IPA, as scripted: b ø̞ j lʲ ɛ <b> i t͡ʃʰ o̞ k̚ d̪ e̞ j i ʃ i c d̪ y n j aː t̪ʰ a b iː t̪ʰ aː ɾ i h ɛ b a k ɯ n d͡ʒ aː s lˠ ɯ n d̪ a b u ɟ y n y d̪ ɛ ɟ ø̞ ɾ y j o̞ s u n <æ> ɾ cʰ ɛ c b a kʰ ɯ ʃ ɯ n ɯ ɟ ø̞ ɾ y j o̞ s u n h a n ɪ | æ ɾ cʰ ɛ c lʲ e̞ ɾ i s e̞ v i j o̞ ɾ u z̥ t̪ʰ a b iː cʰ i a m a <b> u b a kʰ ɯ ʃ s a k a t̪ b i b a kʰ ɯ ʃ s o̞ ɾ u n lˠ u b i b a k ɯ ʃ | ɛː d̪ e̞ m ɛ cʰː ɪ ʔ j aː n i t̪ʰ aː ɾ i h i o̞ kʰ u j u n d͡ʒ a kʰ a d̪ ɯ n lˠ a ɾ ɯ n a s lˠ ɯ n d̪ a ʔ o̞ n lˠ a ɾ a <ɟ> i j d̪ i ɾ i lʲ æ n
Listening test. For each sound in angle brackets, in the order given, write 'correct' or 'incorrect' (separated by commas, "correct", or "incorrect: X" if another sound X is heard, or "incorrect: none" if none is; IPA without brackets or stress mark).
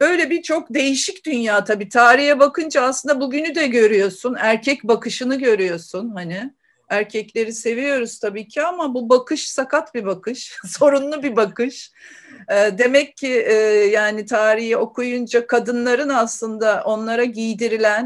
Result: correct, correct, correct, correct